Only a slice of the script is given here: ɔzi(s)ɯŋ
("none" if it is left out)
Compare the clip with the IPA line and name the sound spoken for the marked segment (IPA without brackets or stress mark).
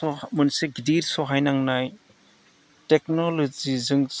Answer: z